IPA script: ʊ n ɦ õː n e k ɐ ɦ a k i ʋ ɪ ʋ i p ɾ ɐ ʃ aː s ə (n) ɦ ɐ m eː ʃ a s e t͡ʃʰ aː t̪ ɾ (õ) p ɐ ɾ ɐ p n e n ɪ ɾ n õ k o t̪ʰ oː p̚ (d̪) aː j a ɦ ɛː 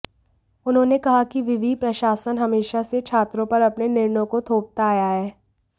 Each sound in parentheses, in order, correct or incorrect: correct, correct, incorrect: t̪

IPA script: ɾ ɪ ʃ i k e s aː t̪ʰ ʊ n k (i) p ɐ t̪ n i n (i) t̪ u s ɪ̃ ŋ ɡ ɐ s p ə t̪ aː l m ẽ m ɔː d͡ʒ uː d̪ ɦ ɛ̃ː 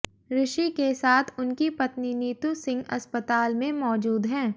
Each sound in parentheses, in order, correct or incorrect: correct, incorrect: iː

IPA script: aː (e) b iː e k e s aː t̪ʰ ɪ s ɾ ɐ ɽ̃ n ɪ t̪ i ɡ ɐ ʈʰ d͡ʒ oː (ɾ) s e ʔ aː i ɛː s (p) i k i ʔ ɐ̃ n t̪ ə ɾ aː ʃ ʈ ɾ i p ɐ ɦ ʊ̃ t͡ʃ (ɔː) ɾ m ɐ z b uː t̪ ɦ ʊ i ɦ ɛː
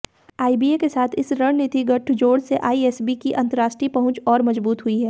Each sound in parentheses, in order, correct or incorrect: incorrect: i, incorrect: ɽ, incorrect: b, correct

